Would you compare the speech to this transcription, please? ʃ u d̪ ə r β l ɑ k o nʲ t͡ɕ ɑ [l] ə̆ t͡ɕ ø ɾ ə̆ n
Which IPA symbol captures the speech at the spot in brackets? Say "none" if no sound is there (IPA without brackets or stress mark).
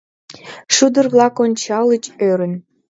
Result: l